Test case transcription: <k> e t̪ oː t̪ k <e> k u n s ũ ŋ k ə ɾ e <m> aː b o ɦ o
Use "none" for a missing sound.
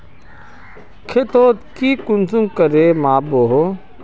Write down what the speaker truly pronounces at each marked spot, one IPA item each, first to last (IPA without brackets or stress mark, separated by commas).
kʰ, i, m